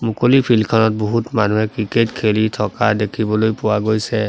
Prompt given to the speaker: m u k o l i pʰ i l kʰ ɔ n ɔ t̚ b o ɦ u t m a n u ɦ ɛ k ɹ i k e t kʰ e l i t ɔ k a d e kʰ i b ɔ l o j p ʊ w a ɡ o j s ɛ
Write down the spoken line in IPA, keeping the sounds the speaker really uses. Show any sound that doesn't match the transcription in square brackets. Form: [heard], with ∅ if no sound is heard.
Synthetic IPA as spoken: m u k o l i pʰ i l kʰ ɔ n ɔ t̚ b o ɦ u t m a n u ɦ ɛ k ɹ i k e t kʰ e l i [tʰ] ɔ k a d e kʰ i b ɔ l o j p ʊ w a ɡ o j s ɛ